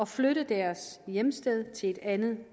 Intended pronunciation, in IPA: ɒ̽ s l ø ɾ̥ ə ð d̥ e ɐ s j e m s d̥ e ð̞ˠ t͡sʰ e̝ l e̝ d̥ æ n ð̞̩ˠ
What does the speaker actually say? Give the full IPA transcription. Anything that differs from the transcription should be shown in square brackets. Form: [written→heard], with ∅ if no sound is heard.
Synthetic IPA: ɒ̽ [s→f] l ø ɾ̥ ə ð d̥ [e→æ] ɐ s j e m s d̥ e ð̞ˠ t͡sʰ e̝ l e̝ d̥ æ n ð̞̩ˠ